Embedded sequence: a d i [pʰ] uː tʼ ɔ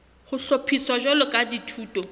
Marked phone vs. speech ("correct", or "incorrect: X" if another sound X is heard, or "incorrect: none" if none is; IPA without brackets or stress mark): incorrect: tʰ